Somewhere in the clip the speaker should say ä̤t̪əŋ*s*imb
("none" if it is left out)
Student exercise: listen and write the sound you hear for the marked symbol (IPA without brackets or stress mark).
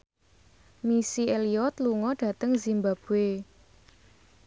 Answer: z